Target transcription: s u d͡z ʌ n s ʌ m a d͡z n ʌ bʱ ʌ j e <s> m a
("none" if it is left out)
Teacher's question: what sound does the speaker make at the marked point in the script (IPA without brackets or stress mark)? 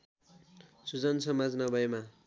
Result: none